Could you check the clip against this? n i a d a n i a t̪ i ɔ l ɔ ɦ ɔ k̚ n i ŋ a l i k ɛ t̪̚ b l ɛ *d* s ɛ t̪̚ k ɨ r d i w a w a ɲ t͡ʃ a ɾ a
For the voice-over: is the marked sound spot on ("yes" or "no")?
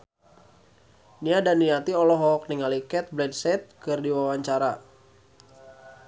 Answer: yes